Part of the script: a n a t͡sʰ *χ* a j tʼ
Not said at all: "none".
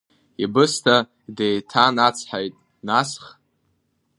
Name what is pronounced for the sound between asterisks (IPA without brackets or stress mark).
ħ